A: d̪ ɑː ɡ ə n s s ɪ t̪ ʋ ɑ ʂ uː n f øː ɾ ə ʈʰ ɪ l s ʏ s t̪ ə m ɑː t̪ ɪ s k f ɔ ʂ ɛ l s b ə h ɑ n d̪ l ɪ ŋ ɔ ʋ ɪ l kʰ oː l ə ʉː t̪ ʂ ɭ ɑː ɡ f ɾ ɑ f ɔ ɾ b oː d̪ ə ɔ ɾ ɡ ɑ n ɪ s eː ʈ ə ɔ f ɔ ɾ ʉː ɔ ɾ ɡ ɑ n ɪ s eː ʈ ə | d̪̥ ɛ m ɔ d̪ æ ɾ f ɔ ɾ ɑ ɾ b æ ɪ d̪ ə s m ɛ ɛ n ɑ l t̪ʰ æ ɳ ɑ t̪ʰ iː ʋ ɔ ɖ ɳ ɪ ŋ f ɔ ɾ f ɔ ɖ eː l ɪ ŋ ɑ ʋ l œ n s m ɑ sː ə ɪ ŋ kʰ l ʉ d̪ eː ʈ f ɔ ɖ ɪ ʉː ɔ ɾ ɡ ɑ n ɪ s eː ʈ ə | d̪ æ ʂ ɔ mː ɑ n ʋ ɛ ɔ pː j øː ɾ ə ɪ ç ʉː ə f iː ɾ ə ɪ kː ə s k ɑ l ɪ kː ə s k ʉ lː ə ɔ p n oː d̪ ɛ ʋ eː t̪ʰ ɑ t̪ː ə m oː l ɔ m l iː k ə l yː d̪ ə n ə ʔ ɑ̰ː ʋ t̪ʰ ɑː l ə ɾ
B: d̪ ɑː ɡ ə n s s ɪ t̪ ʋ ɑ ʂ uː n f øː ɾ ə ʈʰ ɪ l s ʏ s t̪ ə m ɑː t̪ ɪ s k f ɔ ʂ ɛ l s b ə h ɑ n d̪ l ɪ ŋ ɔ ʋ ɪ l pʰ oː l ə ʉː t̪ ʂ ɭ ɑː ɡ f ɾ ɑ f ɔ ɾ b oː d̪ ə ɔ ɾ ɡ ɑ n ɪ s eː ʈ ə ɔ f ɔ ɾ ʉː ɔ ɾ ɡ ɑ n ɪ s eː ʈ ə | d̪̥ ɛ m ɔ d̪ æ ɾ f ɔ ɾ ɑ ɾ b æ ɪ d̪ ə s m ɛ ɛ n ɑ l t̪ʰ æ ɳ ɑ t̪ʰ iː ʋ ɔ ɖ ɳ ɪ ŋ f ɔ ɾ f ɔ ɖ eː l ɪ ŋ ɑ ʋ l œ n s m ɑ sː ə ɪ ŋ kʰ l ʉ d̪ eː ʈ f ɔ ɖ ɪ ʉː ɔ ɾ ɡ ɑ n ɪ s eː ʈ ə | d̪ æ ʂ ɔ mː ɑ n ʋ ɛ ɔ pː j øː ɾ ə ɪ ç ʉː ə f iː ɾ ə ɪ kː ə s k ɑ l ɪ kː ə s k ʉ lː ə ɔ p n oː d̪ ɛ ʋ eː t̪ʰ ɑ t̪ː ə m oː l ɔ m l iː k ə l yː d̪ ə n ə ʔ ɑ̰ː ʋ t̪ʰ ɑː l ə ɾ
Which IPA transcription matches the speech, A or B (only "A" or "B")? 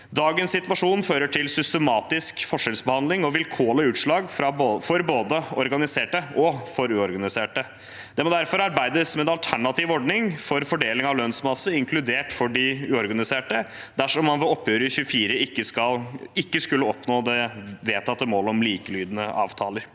A